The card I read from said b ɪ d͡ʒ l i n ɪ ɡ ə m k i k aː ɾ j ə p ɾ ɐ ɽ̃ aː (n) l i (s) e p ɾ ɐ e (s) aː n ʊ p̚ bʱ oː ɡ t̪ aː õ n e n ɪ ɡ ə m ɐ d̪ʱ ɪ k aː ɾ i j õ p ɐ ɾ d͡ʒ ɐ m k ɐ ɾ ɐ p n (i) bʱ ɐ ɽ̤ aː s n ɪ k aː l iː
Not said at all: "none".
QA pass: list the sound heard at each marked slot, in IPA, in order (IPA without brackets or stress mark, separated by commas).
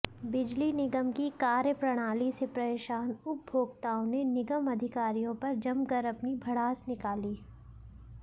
none, s, ʃ, i